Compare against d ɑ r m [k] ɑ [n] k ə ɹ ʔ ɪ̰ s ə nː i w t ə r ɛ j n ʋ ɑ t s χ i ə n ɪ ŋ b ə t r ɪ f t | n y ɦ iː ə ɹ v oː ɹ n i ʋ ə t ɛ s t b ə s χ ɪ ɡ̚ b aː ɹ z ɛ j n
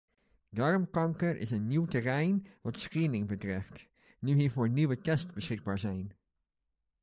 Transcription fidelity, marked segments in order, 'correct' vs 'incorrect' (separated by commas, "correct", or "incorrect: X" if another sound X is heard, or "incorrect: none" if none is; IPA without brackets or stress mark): correct, incorrect: ŋ